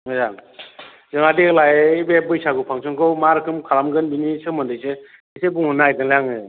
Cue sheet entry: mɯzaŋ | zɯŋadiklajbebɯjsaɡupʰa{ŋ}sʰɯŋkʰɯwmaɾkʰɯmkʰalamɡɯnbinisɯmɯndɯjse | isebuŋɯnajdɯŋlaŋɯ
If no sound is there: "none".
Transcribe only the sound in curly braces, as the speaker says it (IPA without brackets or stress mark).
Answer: ŋ